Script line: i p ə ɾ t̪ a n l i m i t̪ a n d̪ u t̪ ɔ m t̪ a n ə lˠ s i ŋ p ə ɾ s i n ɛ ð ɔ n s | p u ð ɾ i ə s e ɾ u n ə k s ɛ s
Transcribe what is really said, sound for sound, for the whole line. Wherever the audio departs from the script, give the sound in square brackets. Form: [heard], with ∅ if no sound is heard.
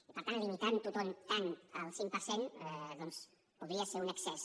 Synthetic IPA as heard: i p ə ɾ t̪ a n l i m i t̪ a n [t̪] u t̪ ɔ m t̪ a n ə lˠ s i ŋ p ə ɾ s [e] n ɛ ð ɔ n s | p u ð ɾ i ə s e ɾ u n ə k s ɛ s